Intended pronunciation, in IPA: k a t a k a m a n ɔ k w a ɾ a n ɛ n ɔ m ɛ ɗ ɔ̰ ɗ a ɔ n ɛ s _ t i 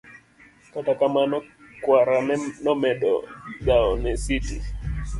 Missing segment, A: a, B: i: B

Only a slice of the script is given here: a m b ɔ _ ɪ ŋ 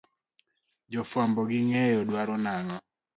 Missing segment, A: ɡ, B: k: A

